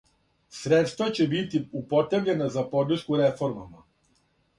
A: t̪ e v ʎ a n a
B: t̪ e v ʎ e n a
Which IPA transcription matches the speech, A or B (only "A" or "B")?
B